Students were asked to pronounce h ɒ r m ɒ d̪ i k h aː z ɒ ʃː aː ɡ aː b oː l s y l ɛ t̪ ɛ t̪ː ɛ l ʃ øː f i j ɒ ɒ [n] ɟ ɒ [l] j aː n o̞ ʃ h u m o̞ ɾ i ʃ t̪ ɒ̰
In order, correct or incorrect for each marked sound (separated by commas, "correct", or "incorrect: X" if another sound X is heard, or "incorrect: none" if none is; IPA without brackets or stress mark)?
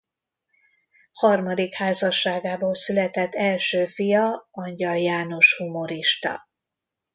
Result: incorrect: ɲ, correct